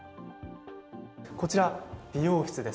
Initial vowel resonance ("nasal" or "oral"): oral